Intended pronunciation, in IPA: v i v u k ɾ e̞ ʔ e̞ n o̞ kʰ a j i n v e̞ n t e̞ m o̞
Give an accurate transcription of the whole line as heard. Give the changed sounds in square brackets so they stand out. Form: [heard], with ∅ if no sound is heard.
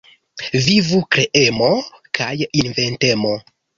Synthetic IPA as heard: v i v u k ɾ e̞ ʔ e̞ [m] o̞ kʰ a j i n v e̞ n t e̞ m o̞

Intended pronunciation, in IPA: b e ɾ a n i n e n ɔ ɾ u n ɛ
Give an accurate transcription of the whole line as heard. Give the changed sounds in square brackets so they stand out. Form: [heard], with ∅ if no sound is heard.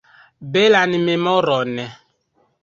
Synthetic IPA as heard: b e [l] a n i [m] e [m] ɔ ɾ [ɔ] n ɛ

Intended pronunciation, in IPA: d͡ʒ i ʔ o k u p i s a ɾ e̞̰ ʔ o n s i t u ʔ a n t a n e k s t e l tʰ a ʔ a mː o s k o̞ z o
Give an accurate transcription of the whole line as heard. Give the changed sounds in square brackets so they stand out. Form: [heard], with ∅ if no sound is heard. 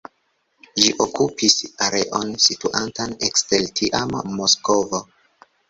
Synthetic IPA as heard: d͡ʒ i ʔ o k u p i s a ɾ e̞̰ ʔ o n s i t u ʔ a n t a n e k s t e l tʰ [i] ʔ a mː o s k o̞ [v] o

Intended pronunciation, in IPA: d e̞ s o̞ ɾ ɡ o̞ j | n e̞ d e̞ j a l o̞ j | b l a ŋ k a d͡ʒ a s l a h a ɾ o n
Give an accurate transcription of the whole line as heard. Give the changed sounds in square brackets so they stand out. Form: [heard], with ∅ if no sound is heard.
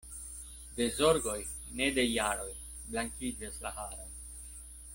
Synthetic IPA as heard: d e̞ [z] o̞ ɾ ɡ o̞ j | n e̞ d e̞ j a [ɾ] o̞ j | b l a ŋ k [i] d͡ʒ a s l a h a ɾ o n

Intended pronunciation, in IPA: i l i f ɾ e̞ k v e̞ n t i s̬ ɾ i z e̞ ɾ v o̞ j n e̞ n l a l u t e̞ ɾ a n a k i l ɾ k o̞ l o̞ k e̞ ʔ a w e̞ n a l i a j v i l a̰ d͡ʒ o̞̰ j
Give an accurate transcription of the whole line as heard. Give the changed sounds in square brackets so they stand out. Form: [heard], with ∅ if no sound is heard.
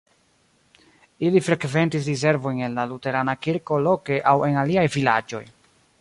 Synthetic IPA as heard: i l i f ɾ e̞ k v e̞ n t i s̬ ɾ i z e̞ ɾ v o̞ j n e̞ n l a l u t e̞ ɾ a n a k i [∅] ɾ k o̞ l o̞ k e̞ ʔ a w e̞ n a l i a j v i l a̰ d͡ʒ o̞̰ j

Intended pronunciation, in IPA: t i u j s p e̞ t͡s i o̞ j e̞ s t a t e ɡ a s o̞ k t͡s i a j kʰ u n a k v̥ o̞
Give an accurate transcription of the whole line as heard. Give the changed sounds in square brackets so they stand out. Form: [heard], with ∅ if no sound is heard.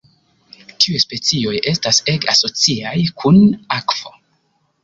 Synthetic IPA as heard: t i u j s p e̞ t͡s i o̞ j e̞ s t a [s] e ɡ a s o̞ [∅] t͡s i a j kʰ u n a k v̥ o̞

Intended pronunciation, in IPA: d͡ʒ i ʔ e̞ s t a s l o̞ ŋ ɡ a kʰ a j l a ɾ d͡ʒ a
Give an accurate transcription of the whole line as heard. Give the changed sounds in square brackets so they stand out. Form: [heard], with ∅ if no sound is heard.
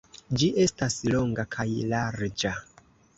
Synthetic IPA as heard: d͡ʒ i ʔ e̞ s t a s l o̞ ŋ ɡ a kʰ a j l a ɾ d͡ʒ a

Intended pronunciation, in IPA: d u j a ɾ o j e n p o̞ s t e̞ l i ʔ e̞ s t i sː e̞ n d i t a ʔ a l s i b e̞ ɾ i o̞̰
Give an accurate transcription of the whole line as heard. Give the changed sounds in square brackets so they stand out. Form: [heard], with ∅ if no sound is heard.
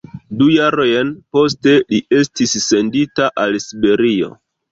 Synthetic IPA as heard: d u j a ɾ o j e n p o̞ s t e̞ l i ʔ e̞ s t i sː e̞ n d i t a ʔ a l s i b e̞ ɾ i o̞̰

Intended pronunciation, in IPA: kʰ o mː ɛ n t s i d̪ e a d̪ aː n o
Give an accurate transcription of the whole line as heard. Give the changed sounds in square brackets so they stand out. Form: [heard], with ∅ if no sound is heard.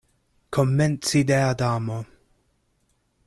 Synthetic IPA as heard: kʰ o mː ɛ n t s i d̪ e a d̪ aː [m] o

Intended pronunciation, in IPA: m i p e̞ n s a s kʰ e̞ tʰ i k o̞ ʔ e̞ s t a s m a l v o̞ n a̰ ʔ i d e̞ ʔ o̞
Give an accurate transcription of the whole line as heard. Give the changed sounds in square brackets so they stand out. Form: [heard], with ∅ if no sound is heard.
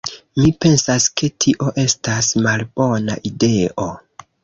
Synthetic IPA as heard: m i p e̞ n s a s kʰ e̞ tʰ i [ʔ] o̞ ʔ e̞ s t a s m a l [b] o̞ n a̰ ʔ i d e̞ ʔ o̞

